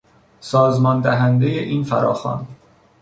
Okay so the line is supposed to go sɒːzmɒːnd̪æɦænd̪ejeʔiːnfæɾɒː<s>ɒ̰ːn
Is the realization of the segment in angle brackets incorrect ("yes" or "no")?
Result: yes